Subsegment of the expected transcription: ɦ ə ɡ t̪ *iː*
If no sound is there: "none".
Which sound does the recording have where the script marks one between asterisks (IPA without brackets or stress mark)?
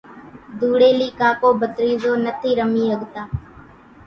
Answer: aː